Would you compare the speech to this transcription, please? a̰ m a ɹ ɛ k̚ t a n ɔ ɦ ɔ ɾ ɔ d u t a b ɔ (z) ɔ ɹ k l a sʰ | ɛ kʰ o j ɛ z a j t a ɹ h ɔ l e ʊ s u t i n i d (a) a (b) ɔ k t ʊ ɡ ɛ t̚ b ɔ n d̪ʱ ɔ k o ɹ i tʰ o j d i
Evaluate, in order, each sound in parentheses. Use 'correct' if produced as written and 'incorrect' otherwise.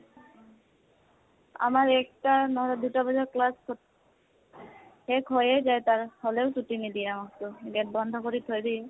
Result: correct, incorrect: i, incorrect: m

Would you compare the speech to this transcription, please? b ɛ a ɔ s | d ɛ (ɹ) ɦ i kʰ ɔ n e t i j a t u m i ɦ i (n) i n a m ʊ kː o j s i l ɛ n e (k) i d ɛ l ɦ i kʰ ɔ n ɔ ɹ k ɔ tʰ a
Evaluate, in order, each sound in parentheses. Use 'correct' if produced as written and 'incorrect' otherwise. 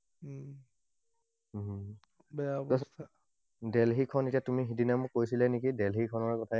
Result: incorrect: l, incorrect: d, correct

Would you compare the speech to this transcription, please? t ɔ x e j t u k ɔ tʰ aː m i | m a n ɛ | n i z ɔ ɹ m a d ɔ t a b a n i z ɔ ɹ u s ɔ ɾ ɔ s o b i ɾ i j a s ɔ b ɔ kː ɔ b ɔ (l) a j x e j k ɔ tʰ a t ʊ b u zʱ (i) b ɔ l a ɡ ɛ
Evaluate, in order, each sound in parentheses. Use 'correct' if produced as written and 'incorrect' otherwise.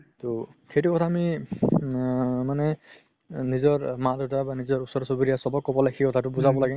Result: correct, incorrect: a

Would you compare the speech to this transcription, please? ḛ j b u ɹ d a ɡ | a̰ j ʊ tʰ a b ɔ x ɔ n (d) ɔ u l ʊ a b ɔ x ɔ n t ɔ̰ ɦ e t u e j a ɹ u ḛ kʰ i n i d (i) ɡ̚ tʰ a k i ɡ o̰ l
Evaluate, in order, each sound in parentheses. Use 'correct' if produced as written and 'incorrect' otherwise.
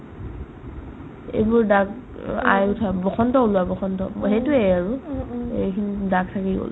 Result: incorrect: t, incorrect: a

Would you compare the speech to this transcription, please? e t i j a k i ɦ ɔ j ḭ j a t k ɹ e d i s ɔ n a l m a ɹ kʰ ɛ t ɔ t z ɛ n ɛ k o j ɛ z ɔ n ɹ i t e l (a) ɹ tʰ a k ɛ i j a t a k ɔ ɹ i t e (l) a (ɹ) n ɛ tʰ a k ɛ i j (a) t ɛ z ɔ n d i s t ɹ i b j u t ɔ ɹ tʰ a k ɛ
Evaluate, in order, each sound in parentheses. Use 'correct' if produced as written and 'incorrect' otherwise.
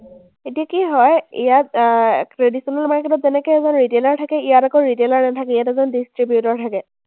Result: correct, correct, correct, correct

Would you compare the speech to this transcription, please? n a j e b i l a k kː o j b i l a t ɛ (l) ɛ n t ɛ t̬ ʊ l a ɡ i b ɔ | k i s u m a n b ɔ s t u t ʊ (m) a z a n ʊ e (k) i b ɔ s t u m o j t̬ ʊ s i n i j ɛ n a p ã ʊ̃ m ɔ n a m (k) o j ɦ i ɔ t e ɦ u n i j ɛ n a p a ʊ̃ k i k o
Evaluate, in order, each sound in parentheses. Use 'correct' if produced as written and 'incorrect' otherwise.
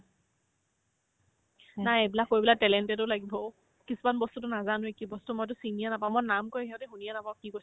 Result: correct, incorrect: n, correct, correct

